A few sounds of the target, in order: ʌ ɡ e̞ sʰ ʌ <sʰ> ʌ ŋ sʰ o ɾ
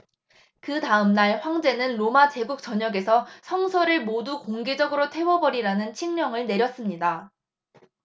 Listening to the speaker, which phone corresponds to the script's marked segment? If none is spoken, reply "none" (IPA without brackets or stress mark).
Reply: sʰ